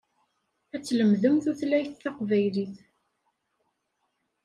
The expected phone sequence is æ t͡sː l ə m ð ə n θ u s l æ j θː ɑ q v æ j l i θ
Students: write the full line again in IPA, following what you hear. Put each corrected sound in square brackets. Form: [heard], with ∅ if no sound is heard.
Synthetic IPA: æ t͡sː l ə m ð ə [m] θ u [θ] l æ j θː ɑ q v æ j l i θ